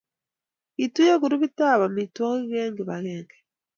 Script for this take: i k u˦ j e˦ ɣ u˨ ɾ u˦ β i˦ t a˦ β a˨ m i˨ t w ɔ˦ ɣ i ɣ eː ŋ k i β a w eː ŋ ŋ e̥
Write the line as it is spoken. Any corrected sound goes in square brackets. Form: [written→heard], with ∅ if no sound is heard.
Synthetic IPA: i [k→t] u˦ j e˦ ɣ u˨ ɾ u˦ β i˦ t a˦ β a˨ m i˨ t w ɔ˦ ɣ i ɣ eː ŋ [k→ɡ] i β a [w→ɣ] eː ŋ [ŋ→ɡ] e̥